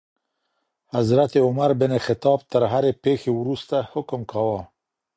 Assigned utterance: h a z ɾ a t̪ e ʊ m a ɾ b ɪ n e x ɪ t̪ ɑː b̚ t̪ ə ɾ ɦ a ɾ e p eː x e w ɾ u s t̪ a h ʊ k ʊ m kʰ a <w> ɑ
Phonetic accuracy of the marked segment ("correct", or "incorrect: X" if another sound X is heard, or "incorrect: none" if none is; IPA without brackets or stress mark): correct